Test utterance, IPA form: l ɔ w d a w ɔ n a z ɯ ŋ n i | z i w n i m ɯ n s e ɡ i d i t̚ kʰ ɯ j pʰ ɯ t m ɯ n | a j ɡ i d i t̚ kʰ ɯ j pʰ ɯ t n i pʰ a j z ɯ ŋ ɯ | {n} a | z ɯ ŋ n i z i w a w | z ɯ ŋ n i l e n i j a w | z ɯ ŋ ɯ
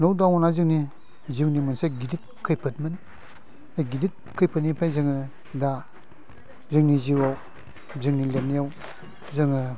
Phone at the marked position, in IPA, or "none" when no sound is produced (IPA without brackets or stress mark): d